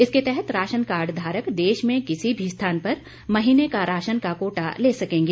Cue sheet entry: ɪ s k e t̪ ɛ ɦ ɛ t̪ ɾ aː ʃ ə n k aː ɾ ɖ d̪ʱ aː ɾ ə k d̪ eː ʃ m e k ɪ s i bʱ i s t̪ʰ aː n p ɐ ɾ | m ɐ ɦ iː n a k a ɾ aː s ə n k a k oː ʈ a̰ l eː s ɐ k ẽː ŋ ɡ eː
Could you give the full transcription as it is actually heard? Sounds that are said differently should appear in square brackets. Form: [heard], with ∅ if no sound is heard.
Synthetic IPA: ɪ s k e t̪ ɛ ɦ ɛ t̪ ɾ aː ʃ ə n k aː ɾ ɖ d̪ʱ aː ɾ ə k d̪ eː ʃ m [ẽ] k ɪ s i bʱ i s t̪ʰ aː n p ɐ ɾ | m ɐ ɦ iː n [e] k a ɾ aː [ʃ] ə n k a k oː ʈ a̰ l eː s ɐ k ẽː ŋ ɡ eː

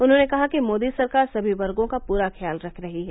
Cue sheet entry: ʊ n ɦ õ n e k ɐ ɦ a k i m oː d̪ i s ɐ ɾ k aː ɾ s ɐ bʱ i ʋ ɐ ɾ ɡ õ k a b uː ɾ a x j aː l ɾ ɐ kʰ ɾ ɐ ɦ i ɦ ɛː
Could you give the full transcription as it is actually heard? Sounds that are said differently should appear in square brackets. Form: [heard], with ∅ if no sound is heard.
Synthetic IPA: ʊ n ɦ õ n e k ɐ ɦ a k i m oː d̪ i s ɐ ɾ k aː ɾ s ɐ bʱ i ʋ ɐ ɾ ɡ õ k a [p] uː ɾ a x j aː l ɾ ɐ kʰ ɾ ɐ ɦ i ɦ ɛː

